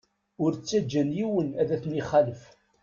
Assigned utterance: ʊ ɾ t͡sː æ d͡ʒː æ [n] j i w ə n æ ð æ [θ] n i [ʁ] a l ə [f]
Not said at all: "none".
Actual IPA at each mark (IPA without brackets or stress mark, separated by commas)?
n, θ, χ, f